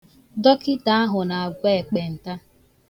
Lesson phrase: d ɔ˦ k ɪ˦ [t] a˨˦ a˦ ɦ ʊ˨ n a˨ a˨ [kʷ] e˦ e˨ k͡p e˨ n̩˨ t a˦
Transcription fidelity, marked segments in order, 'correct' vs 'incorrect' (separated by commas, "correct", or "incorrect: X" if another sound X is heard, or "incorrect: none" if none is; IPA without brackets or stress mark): correct, incorrect: ɡʷ